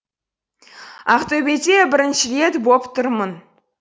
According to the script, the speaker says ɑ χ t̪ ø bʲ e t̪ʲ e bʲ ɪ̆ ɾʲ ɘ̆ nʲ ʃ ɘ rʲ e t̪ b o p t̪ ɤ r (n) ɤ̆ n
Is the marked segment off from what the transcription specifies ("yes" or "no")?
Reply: yes